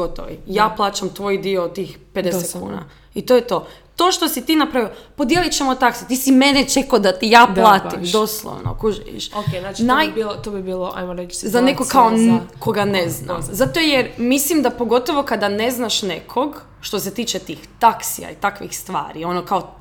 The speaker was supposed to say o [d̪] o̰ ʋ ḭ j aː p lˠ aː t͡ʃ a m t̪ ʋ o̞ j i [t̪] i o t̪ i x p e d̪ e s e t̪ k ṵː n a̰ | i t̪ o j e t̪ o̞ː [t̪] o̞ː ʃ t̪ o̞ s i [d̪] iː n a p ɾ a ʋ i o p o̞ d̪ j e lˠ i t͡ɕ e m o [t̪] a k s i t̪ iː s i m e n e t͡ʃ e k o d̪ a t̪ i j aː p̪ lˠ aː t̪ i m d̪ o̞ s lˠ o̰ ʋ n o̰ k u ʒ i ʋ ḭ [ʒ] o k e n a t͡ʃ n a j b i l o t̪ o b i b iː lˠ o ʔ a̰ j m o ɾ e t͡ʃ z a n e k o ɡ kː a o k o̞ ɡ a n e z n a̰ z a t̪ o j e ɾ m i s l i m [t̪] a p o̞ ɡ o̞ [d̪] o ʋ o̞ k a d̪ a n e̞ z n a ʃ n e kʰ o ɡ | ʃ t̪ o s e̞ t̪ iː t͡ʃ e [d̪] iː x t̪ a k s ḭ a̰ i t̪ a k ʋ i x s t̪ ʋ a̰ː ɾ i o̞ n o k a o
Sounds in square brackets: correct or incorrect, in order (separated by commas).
incorrect, incorrect, correct, incorrect, correct, incorrect, incorrect, incorrect, incorrect